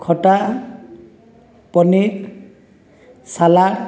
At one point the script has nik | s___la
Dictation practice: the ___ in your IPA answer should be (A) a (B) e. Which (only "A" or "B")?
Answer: A